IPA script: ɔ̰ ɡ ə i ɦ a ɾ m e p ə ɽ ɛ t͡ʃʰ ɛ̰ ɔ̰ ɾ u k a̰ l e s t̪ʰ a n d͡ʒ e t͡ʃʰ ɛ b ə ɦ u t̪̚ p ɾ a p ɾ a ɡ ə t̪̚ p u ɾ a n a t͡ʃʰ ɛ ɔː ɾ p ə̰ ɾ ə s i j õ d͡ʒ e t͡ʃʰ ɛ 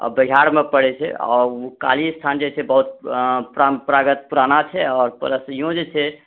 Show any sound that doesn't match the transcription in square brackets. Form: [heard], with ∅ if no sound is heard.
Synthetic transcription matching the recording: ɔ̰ [b] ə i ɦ a ɾ m e p ə ɽ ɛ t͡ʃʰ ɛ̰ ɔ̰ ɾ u k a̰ l [i] s t̪ʰ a n d͡ʒ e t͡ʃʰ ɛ b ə ɦ u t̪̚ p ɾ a p ɾ a ɡ ə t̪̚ p u ɾ a n a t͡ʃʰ ɛ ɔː ɾ p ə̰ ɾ ə s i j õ d͡ʒ e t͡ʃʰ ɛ